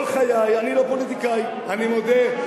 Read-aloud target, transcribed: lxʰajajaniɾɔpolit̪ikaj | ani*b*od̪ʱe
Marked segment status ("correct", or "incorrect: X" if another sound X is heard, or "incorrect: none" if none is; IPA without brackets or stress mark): incorrect: m